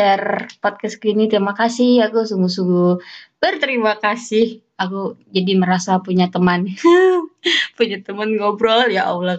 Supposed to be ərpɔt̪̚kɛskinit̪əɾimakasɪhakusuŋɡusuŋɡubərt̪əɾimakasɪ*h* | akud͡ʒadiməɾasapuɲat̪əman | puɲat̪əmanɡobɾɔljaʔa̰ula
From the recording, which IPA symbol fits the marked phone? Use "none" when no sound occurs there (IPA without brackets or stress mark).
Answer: h